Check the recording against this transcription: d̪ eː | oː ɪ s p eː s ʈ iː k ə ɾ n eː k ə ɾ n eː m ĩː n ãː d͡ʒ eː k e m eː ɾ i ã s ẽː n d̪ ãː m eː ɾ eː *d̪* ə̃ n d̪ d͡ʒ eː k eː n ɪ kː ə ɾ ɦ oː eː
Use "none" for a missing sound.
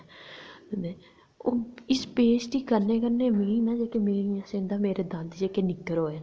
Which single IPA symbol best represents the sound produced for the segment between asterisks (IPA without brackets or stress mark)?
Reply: d̪